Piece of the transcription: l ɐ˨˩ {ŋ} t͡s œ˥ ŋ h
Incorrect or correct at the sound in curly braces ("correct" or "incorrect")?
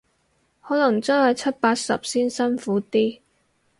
correct